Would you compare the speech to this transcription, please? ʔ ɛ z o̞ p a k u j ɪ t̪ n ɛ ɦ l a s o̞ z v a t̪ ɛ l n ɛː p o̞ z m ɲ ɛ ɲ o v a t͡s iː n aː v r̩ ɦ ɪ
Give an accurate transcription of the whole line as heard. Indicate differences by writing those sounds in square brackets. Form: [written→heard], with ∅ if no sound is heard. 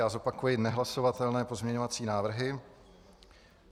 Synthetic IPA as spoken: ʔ [ɛ→a] z o̞ p a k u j ɪ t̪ n ɛ ɦ l a s o̞ [z→∅] v a t̪ ɛ l n ɛː p o̞ z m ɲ ɛ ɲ o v a t͡s iː n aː v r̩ ɦ ɪ